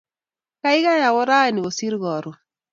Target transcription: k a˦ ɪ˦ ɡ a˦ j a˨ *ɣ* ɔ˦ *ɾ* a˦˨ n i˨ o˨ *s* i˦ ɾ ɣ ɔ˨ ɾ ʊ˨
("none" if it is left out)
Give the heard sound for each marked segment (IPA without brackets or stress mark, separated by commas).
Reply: w, ɾ, s